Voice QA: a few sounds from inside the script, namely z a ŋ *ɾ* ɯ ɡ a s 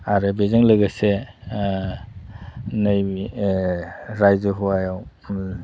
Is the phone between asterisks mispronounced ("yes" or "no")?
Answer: yes